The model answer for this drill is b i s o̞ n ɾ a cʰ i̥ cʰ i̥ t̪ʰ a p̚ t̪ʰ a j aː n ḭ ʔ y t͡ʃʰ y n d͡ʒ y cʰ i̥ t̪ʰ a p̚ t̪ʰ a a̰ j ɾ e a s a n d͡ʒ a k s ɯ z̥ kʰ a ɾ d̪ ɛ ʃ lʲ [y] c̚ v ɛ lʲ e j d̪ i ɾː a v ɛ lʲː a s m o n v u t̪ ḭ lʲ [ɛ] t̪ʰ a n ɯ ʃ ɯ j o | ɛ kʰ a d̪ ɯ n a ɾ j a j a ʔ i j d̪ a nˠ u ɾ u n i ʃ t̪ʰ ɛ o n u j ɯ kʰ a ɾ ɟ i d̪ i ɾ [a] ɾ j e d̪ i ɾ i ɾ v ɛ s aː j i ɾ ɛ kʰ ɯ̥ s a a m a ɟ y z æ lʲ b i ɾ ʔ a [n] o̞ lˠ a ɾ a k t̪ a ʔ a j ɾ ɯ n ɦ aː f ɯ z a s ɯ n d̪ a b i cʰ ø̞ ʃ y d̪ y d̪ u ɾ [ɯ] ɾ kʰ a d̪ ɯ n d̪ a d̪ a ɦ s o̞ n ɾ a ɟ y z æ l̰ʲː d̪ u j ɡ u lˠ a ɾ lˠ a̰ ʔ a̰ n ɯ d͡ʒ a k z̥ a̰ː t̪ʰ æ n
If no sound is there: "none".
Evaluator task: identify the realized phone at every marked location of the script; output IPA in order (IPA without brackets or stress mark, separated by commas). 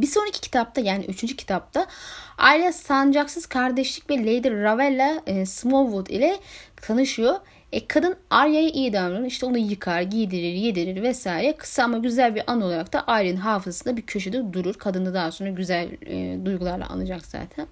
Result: i, ɛ, i, n, u